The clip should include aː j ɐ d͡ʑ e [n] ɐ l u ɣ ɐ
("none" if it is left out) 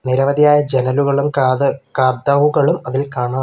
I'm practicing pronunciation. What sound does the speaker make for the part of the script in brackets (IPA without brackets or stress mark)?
n